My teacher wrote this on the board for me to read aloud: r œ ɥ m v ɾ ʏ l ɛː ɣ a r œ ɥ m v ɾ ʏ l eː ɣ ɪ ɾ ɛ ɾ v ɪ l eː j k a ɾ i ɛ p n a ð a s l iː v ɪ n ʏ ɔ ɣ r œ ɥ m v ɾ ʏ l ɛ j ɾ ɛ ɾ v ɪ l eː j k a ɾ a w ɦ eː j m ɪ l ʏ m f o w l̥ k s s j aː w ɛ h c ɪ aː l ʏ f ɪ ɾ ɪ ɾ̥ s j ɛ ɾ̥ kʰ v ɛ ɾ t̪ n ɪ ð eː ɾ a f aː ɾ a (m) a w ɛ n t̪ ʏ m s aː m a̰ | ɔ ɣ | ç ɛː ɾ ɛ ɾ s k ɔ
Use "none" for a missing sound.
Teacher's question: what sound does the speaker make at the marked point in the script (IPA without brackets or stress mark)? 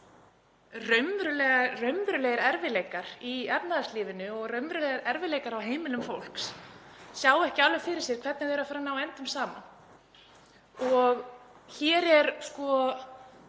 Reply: n